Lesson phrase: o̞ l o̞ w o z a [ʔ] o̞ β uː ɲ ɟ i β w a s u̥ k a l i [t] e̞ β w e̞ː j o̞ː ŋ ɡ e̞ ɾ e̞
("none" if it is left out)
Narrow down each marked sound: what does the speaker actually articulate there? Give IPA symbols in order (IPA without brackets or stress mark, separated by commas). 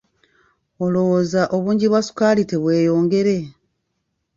ʔ, t